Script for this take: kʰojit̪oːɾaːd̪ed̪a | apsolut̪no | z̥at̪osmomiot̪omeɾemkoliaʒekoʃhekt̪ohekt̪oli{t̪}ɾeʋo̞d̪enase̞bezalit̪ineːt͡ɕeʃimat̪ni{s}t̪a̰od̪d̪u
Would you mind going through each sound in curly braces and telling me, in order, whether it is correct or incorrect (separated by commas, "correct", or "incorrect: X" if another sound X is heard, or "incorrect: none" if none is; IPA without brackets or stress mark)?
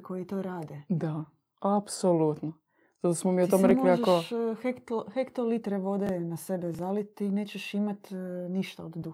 correct, incorrect: ʃ